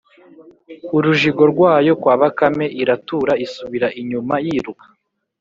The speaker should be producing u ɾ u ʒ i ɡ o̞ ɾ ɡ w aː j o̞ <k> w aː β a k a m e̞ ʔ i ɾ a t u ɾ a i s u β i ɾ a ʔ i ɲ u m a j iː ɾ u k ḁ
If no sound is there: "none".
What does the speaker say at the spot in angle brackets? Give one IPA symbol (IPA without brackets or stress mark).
k